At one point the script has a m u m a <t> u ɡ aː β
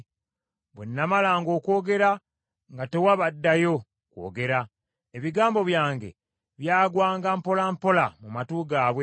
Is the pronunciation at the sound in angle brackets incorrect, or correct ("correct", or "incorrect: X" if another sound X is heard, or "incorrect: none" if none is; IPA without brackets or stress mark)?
correct